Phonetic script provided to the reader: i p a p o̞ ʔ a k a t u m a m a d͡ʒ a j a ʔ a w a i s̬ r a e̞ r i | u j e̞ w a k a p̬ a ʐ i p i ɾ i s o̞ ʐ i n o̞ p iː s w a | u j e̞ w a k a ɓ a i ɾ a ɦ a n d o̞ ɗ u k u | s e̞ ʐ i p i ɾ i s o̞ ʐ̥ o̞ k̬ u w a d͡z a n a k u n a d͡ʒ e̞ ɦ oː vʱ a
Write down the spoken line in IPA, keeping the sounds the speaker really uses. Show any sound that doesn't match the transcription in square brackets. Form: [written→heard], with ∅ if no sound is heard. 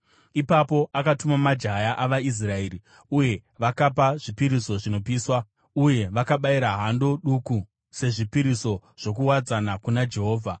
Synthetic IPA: i p a p o̞ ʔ a k a t u m a m a d͡ʒ a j a ʔ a [w→ʋ] a i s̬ r a e̞ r i | u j e̞ [w→ʋ] a k a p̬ a ʐ i p i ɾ i s o̞ ʐ i n o̞ p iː s w a | u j e̞ [w→ʋ] a k a ɓ a i ɾ a ɦ a n d o̞ ɗ u k u | s e̞ ʐ i p i ɾ i s o̞ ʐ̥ o̞ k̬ u w a d͡z a n a k u n a d͡ʒ e̞ ɦ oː vʱ a